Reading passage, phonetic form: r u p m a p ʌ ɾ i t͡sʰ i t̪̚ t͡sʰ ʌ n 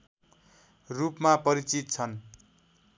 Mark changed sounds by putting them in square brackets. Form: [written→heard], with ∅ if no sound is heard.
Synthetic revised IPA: r u p m a p ʌ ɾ i [t͡sʰ→t͡s] i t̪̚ t͡sʰ ʌ n